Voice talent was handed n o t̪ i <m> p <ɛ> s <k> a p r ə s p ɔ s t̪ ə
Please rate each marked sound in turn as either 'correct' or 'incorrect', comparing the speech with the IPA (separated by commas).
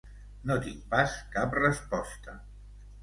incorrect, incorrect, correct